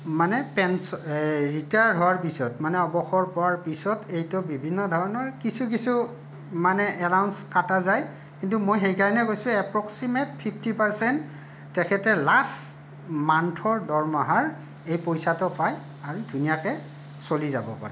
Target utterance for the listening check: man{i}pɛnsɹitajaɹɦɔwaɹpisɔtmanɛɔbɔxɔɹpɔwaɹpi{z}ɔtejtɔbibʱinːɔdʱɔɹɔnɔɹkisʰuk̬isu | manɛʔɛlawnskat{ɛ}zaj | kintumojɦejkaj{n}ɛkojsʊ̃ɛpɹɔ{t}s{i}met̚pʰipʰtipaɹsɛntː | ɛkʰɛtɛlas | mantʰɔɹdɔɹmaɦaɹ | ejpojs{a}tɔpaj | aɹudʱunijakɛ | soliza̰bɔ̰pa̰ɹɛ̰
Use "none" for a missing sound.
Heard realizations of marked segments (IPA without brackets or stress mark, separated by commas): ɛ, s, a, n, k, i, a